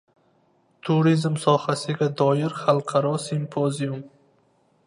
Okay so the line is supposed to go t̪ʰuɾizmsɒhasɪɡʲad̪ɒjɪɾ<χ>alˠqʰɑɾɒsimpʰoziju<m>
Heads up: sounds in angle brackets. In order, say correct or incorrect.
correct, correct

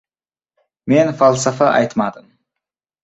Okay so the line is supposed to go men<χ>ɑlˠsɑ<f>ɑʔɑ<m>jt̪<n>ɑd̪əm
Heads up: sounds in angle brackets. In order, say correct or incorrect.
incorrect, correct, incorrect, incorrect

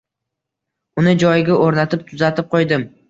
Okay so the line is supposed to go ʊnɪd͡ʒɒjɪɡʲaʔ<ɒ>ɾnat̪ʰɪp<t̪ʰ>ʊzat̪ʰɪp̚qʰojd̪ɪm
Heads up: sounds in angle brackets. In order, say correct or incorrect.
incorrect, correct

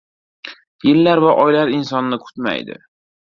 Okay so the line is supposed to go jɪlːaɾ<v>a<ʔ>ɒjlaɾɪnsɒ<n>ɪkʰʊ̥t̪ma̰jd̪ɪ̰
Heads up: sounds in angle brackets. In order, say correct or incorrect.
correct, correct, incorrect

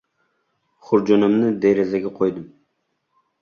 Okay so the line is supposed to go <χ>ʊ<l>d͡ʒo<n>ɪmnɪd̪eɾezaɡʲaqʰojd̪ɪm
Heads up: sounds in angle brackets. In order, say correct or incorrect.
correct, incorrect, correct

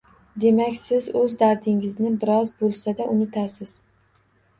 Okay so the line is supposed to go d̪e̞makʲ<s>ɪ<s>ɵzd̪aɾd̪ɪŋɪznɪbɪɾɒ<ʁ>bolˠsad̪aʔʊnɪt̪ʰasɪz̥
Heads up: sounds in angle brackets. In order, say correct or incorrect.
correct, incorrect, incorrect

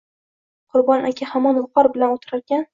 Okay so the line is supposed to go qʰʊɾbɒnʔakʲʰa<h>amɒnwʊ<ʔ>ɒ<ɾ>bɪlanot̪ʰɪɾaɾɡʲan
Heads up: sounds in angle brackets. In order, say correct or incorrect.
correct, incorrect, correct

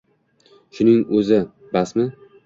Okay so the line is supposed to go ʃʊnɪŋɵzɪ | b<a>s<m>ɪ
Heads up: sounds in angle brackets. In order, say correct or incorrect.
correct, correct

